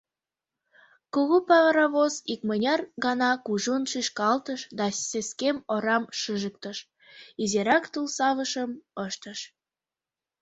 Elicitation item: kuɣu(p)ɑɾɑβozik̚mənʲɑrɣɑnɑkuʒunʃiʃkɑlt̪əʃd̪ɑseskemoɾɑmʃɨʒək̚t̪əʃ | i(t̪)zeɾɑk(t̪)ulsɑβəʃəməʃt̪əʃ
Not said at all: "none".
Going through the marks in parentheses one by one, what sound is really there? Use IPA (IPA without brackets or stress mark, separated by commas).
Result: p, none, t̪